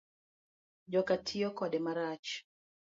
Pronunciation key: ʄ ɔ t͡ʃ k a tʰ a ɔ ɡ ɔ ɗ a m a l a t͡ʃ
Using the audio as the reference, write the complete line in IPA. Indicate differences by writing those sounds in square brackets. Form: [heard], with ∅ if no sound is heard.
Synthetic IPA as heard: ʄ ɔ [∅] k a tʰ [i] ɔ [k] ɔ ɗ [ɛ] m a [ɾ] a t͡ʃ